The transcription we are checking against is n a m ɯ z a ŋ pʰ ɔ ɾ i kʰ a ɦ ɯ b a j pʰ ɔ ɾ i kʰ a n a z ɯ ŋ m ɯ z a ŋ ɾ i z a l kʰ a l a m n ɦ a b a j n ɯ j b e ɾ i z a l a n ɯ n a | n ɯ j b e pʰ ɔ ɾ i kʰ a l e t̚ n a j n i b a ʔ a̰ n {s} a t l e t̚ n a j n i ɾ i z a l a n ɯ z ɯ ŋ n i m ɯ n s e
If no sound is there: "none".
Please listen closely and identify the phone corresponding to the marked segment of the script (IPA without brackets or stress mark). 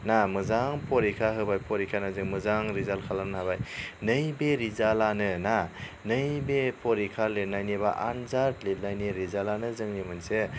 z